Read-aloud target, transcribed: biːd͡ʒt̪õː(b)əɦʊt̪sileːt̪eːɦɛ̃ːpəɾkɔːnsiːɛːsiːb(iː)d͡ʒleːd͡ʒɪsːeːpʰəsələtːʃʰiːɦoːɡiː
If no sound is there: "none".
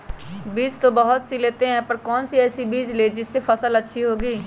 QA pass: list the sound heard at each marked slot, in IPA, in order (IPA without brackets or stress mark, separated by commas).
b, iː